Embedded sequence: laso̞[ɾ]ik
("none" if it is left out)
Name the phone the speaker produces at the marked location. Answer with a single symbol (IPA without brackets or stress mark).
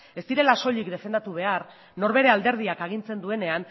ʎ